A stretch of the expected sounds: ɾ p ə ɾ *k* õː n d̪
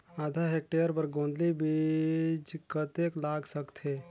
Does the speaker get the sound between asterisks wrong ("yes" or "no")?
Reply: yes